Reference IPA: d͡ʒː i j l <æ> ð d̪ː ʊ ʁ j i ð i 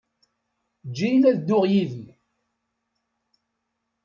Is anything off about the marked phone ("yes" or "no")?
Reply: no